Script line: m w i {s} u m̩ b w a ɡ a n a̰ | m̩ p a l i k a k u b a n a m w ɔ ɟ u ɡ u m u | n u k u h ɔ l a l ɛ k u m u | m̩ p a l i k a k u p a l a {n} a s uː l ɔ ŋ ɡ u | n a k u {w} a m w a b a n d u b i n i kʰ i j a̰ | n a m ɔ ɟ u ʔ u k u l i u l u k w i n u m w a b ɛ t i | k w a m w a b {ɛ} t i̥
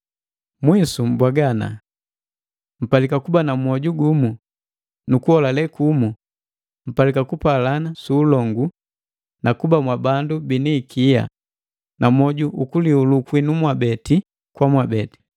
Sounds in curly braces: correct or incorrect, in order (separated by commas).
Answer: correct, correct, incorrect, correct